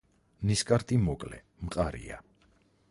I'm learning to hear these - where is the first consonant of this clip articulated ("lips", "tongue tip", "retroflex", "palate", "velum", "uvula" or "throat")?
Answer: tongue tip